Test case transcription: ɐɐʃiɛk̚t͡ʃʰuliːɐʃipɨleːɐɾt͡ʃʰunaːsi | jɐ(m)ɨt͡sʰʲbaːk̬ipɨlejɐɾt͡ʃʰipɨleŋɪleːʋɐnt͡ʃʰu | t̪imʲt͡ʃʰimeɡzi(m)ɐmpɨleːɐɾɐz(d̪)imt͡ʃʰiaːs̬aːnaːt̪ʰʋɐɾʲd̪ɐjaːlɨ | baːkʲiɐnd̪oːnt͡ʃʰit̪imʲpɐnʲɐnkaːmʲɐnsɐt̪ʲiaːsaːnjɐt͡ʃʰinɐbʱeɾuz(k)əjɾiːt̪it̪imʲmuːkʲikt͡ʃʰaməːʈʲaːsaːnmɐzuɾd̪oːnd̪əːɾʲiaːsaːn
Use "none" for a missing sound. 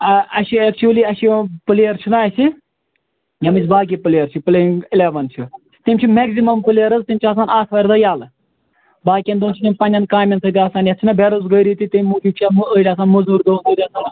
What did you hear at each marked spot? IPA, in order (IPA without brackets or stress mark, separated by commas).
m, m, t̪, ɡ